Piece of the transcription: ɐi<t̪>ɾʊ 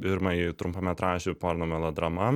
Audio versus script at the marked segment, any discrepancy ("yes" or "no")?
no